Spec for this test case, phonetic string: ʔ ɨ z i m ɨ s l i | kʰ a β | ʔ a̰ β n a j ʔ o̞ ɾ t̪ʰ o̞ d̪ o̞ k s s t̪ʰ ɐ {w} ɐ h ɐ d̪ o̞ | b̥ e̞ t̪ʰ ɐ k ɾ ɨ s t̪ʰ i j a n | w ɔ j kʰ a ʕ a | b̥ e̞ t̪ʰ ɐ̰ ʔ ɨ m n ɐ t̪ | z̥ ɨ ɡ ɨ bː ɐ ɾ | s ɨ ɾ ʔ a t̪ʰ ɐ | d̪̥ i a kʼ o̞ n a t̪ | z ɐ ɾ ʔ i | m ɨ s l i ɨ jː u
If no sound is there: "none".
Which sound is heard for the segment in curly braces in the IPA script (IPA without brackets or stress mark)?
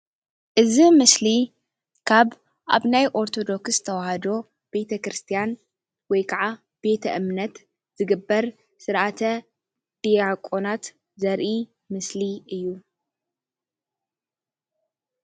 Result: w